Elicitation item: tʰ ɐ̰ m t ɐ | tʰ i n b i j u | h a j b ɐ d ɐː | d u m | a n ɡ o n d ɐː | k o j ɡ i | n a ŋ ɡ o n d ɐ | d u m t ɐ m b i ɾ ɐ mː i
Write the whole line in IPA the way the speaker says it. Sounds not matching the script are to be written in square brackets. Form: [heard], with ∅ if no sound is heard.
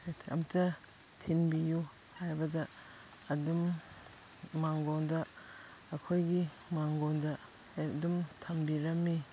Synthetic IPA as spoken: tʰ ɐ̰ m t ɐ | tʰ i n b i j u | h a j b ɐ d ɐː | d u m | a [ŋ] ɡ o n d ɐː | [kʰ] o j ɡ i | [m] a ŋ ɡ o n d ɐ | d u m [tʰ] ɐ m b i ɾ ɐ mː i